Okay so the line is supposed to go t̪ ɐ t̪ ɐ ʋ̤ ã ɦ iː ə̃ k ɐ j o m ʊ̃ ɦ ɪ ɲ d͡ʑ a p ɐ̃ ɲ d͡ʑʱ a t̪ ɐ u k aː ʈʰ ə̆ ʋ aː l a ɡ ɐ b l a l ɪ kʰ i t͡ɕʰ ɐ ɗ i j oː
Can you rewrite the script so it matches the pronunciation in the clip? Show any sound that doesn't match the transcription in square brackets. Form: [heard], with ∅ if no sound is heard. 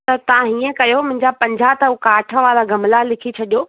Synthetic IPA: t̪ ɐ t̪ ɐ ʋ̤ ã ɦ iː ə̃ k ɐ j o m ʊ̃ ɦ ɪ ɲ d͡ʑ a p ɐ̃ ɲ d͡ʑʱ a t̪ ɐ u k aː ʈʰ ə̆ ʋ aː l a ɡ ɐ [m] l a l ɪ kʰ i t͡ɕʰ ɐ ɗ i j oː

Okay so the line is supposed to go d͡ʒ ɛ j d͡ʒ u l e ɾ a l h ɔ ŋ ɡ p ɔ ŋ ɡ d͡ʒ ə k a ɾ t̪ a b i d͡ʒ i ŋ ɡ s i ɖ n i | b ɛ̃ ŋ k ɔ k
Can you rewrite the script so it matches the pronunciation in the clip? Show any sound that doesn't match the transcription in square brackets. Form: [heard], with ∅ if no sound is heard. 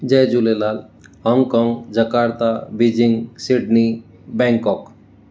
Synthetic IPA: d͡ʒ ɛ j d͡ʒ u l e [l] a l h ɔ ŋ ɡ [k] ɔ ŋ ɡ d͡ʒ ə k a ɾ t̪ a b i d͡ʒ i ŋ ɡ s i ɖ n i | b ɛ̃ ŋ k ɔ k

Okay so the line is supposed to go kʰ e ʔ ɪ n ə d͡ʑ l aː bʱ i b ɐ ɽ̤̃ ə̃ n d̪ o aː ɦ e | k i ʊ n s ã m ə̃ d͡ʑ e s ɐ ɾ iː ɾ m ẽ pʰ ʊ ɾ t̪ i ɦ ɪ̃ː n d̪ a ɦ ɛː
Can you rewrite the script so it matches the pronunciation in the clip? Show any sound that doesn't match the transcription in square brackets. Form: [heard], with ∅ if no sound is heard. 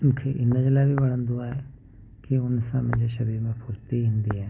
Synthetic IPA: kʰ e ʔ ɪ n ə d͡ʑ l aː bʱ i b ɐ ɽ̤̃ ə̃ n d̪ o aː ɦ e | k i ʊ n s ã m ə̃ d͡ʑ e [ʃ] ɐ ɾ iː ɾ m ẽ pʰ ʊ ɾ t̪ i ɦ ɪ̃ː n d̪ [i] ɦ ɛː

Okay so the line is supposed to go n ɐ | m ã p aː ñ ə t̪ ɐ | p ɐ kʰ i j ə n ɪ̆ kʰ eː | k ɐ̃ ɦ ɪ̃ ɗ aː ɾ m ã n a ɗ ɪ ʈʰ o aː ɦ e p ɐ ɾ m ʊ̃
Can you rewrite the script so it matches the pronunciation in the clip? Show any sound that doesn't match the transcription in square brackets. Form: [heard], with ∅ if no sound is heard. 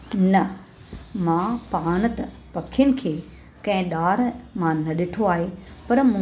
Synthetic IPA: n ɐ | m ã p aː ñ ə t̪ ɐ | p ɐ kʰ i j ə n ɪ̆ kʰ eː | k ɐ̃ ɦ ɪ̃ ɗ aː ɾ m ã n [ɐ] ɗ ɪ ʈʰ o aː ɦ e p ɐ ɾ m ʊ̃

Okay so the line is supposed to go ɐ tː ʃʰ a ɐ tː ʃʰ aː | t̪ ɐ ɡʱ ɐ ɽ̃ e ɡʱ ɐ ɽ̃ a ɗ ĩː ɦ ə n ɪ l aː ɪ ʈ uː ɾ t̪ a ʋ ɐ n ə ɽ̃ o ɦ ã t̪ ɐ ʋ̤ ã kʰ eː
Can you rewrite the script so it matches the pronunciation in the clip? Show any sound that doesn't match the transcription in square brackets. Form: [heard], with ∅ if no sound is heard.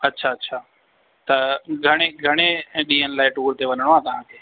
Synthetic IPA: ɐ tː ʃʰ a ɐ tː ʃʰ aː | t̪ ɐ ɡʱ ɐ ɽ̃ e ɡʱ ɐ ɽ̃ [e] ɗ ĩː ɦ ə n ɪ l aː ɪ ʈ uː ɾ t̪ [e] ʋ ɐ n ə ɽ̃ o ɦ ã t̪ ɐ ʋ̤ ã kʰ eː

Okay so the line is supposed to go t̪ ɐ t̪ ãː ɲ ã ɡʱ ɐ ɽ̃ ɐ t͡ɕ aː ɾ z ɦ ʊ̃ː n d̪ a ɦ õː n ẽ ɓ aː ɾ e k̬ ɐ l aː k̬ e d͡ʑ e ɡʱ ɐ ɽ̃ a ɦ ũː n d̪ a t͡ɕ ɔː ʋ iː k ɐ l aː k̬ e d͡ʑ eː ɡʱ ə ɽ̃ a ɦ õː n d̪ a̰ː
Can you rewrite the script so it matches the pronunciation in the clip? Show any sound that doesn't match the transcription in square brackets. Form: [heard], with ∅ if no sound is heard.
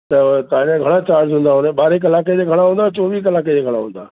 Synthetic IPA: t̪ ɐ t̪ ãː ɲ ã ɡʱ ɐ ɽ̃ [a] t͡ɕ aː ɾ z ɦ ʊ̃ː n d̪ a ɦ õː n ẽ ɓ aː ɾ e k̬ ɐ l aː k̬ e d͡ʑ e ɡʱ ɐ ɽ̃ a ɦ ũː n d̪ a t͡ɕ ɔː ʋ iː k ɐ l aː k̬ e d͡ʑ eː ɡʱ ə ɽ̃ a ɦ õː n d̪ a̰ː

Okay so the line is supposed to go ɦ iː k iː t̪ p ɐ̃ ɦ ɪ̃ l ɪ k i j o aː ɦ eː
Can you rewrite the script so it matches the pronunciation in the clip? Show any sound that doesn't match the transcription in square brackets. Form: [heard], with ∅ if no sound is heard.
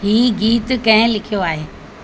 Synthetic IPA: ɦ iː [ɡ] iː t̪ [k] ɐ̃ ɦ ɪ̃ l ɪ [kʰ] i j o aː ɦ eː

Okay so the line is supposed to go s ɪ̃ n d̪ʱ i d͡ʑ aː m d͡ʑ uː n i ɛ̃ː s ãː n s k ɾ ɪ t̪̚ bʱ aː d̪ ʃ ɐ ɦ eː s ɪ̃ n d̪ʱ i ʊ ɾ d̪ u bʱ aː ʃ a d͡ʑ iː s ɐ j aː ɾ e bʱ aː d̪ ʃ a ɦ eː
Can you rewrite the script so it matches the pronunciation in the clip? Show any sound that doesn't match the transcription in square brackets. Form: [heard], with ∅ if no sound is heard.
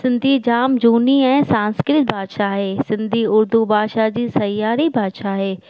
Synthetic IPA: s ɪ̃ n d̪ʱ i d͡ʑ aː m d͡ʑ uː n i ɛ̃ː s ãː n s k ɾ ɪ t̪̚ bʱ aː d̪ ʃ [a] ɦ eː s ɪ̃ n d̪ʱ i ʊ ɾ d̪ u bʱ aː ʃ a d͡ʑ iː s ɐ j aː ɾ [i] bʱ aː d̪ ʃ a ɦ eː

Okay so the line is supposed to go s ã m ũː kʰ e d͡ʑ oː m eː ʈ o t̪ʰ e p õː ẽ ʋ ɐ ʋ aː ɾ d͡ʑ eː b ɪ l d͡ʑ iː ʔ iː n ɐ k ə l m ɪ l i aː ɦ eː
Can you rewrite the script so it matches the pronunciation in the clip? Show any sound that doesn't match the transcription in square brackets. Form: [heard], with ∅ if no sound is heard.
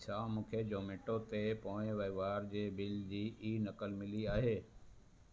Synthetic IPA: s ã m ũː kʰ e d͡ʑ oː m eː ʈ o [t̪] e p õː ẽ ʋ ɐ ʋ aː ɾ d͡ʑ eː b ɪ l d͡ʑ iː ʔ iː n ɐ k ə l m ɪ l i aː ɦ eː

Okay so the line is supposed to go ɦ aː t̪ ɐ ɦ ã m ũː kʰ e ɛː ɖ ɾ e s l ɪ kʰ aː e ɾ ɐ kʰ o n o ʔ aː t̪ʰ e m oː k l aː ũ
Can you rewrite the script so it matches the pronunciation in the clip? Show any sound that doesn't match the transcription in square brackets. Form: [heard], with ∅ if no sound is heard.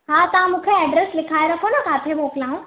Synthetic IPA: ɦ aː t̪ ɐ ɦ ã m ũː kʰ e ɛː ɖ ɾ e s l ɪ kʰ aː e ɾ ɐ kʰ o n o [k] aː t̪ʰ e m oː k l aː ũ

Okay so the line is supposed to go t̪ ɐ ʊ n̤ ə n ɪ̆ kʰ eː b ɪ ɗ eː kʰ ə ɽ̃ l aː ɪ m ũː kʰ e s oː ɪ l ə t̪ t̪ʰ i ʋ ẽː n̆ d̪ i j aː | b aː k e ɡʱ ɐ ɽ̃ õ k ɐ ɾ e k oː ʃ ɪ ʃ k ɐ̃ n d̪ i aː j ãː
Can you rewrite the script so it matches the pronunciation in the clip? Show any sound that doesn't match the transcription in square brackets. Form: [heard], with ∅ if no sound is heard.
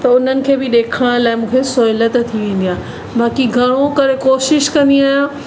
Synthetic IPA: t̪ ɐ ʊ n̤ ə n ɪ̆ kʰ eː b ɪ ɗ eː kʰ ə ɽ̃ l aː ɪ m ũː kʰ e s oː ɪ l ə t̪ t̪ʰ i ʋ ẽː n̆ d̪ i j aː | b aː k [i] ɡʱ ɐ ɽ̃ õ k ɐ ɾ e k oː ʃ ɪ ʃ k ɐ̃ n d̪ i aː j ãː

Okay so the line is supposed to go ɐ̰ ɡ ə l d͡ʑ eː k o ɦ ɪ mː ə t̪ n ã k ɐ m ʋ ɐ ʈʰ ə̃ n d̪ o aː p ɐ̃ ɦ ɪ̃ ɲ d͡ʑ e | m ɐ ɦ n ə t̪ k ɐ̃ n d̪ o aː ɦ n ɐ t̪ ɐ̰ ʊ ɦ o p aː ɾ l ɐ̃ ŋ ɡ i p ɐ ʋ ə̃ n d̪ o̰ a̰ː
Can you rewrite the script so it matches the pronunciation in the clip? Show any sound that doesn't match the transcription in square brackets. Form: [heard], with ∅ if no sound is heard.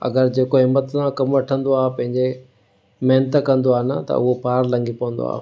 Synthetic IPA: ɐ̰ ɡ ə [ɾ] d͡ʑ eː k o ɦ ɪ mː ə t̪ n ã k ɐ m ʋ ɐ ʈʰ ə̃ n d̪ o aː p ɐ̃ ɦ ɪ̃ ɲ d͡ʑ e | m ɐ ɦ n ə t̪ k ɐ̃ n d̪ o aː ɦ n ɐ t̪ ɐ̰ ʊ ɦ o p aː ɾ l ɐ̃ ŋ ɡ i p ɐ ʋ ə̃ n d̪ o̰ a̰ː

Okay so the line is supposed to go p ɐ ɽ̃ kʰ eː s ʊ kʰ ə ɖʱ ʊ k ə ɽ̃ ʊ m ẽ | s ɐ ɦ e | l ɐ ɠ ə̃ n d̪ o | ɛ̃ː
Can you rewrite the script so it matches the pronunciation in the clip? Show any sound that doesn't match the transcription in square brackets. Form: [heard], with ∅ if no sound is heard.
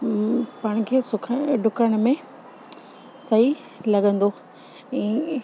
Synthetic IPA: p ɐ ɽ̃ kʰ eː s ʊ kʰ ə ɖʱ ʊ k ə ɽ̃ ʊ m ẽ | s ɐ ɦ [i] | l ɐ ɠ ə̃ n d̪ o | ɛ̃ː

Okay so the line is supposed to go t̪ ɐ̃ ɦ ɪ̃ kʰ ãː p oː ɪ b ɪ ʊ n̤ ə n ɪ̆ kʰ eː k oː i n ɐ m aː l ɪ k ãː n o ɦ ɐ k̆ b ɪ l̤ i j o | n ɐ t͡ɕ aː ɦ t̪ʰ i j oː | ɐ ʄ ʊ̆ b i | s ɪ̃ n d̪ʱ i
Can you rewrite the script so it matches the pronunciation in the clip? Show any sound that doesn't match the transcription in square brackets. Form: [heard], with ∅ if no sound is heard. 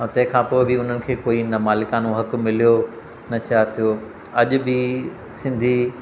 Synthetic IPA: t̪ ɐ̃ ɦ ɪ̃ kʰ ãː p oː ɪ b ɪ ʊ n̤ ə n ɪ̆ kʰ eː k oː i n ɐ m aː l ɪ k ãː n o ɦ ɐ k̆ [m] ɪ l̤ i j o | n ɐ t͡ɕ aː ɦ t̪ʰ i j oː | ɐ ʄ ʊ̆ b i | s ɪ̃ n d̪ʱ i

